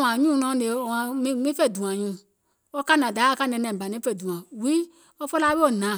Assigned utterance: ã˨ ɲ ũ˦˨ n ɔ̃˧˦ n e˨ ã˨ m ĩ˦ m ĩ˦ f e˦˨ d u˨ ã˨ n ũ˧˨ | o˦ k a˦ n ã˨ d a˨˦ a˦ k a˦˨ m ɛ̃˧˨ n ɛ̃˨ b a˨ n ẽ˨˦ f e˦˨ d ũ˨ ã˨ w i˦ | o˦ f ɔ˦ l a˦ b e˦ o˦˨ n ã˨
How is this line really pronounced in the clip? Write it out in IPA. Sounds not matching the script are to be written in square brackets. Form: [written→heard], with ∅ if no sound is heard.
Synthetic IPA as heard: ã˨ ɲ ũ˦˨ n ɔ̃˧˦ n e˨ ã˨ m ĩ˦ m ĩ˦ f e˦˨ d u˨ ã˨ [n→ɲ] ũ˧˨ | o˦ k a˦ n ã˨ d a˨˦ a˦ k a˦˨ [m→n] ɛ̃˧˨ n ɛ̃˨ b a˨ n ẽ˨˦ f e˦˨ d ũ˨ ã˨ w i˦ | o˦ f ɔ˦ l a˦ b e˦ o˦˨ n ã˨